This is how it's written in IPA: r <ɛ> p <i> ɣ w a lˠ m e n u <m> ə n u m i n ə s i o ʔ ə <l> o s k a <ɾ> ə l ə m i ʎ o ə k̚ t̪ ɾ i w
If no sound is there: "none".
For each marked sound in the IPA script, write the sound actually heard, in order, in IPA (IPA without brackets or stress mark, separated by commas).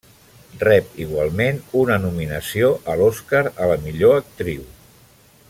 ɛ, i, n, l, ɾ